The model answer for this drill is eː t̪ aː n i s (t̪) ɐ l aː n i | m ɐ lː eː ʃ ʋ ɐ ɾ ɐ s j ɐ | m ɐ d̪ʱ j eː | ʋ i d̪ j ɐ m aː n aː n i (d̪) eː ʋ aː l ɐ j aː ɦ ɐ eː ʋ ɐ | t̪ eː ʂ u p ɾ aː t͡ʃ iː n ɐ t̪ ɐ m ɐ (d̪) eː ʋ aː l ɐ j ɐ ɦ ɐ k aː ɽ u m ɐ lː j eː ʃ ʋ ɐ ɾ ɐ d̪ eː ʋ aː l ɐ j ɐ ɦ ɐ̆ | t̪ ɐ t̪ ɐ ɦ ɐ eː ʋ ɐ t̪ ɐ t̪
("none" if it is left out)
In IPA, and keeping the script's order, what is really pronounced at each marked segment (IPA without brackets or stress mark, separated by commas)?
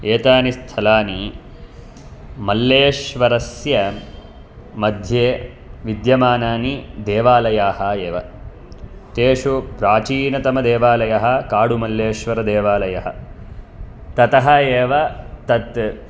t̪ʰ, d̪, d̪